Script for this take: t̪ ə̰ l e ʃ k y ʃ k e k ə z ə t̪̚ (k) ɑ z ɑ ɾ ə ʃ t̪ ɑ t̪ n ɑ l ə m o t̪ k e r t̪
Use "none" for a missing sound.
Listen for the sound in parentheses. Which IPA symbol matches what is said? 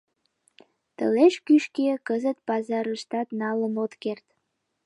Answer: p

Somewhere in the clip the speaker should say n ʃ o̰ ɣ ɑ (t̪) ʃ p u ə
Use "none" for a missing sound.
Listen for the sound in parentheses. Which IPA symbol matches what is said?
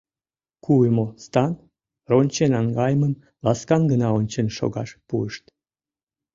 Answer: none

